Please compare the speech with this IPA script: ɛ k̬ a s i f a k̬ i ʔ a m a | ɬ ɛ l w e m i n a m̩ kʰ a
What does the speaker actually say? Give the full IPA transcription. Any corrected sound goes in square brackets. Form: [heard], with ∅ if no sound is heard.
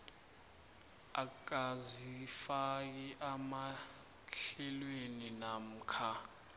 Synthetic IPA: [a] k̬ a [z] i f a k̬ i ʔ a m a | ɬ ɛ l w e [n] i n a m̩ kʰ a